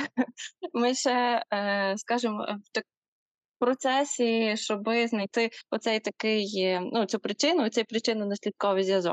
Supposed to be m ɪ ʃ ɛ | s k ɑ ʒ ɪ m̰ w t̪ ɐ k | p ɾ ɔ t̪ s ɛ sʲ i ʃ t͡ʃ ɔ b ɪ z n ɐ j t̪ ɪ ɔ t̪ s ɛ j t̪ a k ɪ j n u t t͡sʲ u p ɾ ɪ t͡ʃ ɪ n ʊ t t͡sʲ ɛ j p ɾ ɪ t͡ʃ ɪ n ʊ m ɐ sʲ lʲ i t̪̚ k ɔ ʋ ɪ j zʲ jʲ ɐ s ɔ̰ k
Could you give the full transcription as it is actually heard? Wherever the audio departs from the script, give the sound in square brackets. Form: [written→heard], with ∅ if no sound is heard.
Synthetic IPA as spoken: m ɪ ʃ ɛ | s k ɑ ʒ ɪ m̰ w t̪ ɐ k | p ɾ ɔ t̪ s ɛ sʲ i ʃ t͡ʃ ɔ b ɪ z n ɐ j t̪ ɪ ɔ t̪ s ɛ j t̪ [a→ɐ] k ɪ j n u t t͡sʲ u p ɾ ɪ t͡ʃ ɪ n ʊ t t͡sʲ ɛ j p ɾ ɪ t͡ʃ ɪ n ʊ [m→n] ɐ sʲ lʲ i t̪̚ k ɔ ʋ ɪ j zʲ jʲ ɐ [s→z] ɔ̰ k